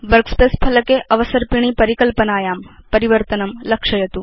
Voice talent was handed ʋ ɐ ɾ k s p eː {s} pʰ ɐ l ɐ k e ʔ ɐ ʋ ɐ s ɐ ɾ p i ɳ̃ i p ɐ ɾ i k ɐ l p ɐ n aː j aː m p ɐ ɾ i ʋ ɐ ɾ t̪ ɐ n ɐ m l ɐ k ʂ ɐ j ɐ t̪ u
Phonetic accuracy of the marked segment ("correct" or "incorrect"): correct